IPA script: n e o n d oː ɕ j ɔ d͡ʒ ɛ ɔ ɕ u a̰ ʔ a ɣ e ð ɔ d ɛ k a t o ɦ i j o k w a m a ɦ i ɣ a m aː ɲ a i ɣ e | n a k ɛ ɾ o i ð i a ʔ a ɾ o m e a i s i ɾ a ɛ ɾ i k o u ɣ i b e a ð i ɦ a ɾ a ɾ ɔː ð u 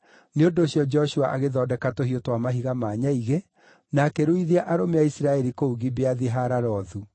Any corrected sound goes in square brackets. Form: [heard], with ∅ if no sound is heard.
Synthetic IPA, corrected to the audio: n e o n d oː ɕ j ɔ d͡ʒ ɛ ɔ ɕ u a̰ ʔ a ɣ e ð ɔ d ɛ k a t o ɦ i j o [t] w a m a ɦ i ɣ a m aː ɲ a i ɣ e | n a k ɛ ɾ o i ð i a ʔ a ɾ o m e a i s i ɾ a ɛ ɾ i k o u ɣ i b e a ð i ɦ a ɾ a ɾ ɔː ð u